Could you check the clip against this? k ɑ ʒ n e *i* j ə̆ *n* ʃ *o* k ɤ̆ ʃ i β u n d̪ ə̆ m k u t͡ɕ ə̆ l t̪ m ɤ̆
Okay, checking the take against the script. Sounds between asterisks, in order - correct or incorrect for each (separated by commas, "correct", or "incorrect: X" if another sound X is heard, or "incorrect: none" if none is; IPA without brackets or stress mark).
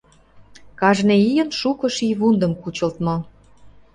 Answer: correct, correct, incorrect: u